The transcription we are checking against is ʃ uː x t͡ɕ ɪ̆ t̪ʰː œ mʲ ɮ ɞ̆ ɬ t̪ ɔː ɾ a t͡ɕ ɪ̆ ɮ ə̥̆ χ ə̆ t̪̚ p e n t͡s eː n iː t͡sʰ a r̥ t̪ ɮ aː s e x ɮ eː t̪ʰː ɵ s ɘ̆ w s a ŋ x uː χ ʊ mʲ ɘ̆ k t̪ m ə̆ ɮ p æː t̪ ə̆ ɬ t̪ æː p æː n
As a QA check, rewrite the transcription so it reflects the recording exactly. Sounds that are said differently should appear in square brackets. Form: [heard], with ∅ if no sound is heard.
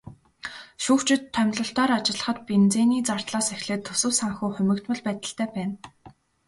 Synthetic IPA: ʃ uː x t͡ɕ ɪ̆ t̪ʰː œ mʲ ɮ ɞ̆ ɬ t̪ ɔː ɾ a t͡ɕ ɪ̆ ɮ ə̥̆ χ ə̆ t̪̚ p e n t͡s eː n iː [t͡s] a r̥ t̪ ɮ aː s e x ɮ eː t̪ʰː ɵ s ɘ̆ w s a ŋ x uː χ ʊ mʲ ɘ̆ k t̪ m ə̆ ɮ p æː t̪ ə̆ ɬ t̪ æː p æː n

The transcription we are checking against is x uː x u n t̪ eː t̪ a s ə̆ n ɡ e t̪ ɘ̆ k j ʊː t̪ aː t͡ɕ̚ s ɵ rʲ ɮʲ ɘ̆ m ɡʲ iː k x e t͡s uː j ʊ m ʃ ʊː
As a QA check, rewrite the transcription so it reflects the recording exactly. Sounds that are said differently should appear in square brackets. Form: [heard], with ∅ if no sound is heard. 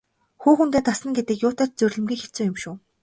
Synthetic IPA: x uː x u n t̪ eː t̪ a s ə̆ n ɡ e t̪ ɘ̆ k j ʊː t̪ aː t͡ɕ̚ [t͡s] ɵ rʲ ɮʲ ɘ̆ m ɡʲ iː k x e t͡s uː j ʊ m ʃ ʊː

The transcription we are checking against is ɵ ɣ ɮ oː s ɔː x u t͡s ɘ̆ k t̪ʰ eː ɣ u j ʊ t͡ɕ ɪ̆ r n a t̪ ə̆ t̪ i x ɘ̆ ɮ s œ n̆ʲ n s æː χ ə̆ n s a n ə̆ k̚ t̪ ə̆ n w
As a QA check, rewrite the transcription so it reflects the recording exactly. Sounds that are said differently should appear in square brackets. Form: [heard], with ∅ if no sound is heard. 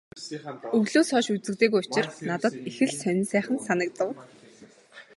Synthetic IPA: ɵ ɣ ɮ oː s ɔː [ʃ] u t͡s ɘ̆ k [t̪] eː ɣ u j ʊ t͡ɕ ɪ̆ r n a t̪ ə̆ t̪ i x ɘ̆ ɮ s œ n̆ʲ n s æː χ ə̆ n s a n ə̆ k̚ t̪ ə̆ [∅] w

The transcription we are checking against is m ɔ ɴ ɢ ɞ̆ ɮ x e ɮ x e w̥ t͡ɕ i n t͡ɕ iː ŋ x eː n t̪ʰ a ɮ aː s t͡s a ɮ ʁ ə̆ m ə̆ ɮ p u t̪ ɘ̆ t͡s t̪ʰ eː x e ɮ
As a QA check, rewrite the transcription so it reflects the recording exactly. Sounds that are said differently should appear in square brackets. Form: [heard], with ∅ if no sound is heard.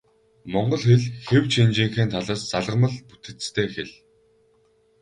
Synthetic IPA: m ɔ ɴ ɢ ɞ̆ ɮ x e ɮ x e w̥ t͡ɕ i n t͡ɕ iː ŋ x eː n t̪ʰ a ɮ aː s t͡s a ɮ ʁ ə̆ m ə̆ ɮ p u t̪ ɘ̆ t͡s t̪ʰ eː x e ɮ

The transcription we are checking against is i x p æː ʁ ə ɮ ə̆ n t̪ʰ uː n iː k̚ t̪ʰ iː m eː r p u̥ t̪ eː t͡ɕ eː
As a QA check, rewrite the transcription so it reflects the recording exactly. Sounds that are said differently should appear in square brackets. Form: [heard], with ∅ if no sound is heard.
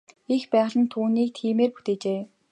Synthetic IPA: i x p æː ʁ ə ɮ ə̆ n t̪ʰ uː n iː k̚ t̪ʰ iː m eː r p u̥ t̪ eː t͡ɕ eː

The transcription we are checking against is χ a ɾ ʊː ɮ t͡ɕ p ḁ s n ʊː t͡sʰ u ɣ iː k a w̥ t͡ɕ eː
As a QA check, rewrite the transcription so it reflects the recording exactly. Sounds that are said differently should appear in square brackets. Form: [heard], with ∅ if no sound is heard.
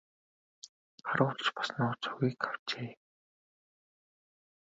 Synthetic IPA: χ a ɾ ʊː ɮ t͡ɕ p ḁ s n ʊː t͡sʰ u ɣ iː k a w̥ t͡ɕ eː

